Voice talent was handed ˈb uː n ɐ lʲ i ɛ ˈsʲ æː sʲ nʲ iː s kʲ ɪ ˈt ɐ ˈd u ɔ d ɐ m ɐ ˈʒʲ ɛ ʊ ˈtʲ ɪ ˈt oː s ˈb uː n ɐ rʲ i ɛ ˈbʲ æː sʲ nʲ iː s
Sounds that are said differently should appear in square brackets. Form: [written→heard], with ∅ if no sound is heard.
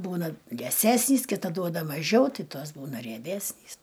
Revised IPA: ˈb uː n ɐ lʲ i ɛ ˈsʲ æː sʲ nʲ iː s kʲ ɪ ˈt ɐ ˈd u ɔ d ɐ m ɐ ˈʒʲ ɛ ʊ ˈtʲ ɪ ˈt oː s ˈb uː n ɐ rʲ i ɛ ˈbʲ æː sʲ nʲ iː s